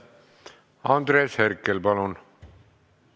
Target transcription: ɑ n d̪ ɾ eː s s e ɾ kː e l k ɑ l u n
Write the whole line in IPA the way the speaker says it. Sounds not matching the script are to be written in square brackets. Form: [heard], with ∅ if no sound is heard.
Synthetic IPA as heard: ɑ n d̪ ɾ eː s [h] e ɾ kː e l [p] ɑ l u n